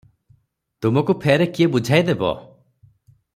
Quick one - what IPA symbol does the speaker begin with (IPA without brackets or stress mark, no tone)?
t̪